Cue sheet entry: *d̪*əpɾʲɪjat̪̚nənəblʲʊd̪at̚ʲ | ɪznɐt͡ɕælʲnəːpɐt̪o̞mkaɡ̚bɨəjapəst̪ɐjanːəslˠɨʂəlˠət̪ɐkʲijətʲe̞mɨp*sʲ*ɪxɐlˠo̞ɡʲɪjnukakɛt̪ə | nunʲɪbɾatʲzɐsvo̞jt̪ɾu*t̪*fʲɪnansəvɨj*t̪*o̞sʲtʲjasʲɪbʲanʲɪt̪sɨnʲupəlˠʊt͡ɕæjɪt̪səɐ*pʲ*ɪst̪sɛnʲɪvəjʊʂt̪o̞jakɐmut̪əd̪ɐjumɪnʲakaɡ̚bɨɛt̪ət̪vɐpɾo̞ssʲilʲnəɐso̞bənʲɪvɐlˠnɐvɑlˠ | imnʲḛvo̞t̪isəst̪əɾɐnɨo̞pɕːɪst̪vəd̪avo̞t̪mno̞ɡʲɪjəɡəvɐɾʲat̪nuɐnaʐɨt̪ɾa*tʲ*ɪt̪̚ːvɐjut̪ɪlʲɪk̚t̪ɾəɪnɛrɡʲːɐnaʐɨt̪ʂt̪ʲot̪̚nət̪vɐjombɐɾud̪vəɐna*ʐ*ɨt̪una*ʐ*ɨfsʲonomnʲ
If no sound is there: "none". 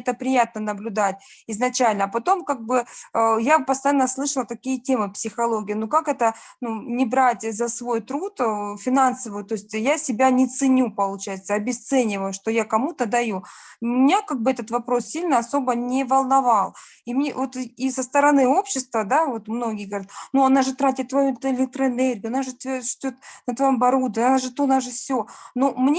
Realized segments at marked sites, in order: t̪, sʲ, t̪, t̪, bʲ, tʲ, ʐ, ʐ

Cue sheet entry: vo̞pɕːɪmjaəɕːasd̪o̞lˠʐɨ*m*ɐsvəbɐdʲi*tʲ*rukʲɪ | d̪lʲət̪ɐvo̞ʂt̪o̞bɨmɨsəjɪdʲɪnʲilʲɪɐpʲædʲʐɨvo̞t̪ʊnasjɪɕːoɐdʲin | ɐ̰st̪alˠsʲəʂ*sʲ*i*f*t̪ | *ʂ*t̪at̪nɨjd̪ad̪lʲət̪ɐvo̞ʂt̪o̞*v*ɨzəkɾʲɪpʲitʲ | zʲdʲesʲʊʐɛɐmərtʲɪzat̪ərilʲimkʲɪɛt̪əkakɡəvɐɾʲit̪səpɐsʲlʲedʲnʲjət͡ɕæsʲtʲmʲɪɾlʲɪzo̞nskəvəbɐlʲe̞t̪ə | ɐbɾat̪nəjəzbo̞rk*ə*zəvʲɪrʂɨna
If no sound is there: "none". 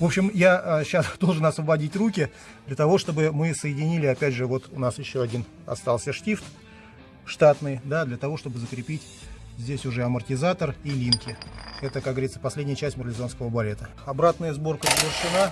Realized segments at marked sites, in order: n, tʲ, tʲ, f, ʂ, b, ə

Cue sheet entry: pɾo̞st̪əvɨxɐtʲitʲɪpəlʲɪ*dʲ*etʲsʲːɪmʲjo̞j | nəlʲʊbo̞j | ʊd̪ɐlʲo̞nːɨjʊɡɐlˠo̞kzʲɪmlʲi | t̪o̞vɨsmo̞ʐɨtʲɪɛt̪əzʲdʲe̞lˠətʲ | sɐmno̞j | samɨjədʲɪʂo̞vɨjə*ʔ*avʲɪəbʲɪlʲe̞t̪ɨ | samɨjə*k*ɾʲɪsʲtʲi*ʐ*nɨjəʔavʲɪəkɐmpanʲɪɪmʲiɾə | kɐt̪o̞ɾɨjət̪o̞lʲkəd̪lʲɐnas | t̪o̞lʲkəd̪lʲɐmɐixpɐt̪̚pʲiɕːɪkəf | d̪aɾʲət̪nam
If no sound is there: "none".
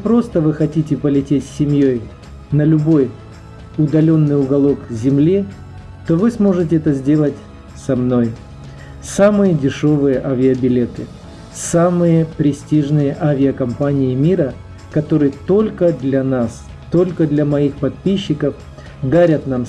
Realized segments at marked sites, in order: tʲ, ʔ, p, ʐ

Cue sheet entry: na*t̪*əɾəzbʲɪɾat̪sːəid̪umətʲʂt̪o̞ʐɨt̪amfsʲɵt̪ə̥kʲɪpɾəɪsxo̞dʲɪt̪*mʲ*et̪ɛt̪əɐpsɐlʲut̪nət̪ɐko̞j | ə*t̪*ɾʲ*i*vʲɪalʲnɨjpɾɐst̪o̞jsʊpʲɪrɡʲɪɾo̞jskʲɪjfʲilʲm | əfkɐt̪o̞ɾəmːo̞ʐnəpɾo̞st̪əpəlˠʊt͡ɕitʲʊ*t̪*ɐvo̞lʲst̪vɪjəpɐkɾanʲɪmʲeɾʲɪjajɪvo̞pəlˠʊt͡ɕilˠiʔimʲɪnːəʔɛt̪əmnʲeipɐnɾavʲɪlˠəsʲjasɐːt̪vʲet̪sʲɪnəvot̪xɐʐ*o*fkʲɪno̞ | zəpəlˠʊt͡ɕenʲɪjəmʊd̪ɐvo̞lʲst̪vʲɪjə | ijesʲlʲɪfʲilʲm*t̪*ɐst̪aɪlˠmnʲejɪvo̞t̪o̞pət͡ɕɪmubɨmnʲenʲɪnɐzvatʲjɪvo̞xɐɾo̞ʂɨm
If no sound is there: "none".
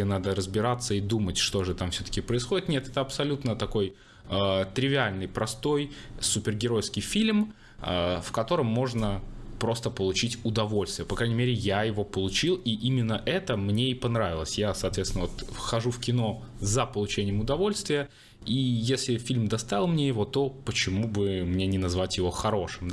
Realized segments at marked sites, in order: d̪, nʲ, t̪, ɪ, d̪, u, d̪

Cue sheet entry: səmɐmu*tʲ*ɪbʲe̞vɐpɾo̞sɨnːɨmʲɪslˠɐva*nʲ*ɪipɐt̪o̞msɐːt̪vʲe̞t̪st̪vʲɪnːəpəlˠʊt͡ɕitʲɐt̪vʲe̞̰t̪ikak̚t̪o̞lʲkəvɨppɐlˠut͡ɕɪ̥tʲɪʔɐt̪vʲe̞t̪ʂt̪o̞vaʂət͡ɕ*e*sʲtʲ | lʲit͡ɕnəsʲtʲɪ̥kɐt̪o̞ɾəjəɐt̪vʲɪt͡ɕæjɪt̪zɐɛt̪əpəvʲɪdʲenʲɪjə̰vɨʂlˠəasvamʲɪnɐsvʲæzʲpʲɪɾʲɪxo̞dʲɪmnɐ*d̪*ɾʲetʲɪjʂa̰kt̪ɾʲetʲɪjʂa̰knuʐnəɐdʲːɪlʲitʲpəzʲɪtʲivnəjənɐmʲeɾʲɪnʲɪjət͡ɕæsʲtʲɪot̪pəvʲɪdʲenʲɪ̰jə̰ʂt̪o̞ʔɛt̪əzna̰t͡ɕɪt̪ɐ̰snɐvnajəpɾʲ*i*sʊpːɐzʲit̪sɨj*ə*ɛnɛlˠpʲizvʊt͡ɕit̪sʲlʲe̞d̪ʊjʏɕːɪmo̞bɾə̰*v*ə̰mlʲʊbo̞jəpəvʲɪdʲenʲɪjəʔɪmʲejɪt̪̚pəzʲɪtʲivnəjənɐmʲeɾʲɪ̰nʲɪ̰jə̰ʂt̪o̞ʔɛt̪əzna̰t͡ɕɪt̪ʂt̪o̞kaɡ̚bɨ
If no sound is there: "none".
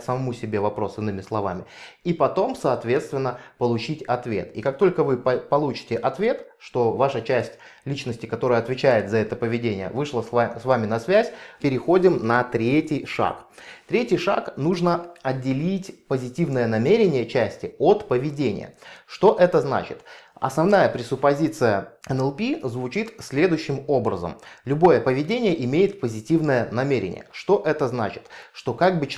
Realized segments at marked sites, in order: sʲ, mʲ, æ, t̪, ɪ, ə, z

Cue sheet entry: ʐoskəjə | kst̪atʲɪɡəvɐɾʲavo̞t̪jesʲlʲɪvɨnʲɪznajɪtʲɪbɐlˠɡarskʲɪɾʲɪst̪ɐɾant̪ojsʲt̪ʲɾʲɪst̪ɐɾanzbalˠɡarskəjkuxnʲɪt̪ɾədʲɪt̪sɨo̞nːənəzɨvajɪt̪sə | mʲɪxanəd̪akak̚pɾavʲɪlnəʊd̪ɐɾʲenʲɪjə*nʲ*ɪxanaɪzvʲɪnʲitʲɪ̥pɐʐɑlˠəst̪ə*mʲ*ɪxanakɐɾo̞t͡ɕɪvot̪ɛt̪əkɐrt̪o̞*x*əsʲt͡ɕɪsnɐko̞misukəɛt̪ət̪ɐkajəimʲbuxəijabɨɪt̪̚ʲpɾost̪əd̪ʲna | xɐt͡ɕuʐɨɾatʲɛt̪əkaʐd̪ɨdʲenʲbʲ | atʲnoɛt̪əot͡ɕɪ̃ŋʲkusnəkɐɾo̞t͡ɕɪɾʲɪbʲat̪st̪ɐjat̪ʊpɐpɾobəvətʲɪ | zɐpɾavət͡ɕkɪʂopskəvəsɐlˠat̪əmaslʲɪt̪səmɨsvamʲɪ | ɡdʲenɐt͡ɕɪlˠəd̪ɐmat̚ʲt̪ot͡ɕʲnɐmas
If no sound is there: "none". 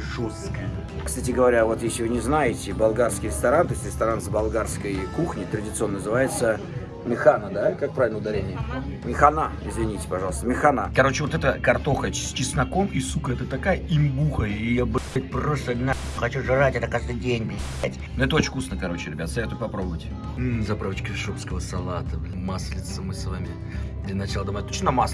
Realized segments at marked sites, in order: mʲ, mʲ, x

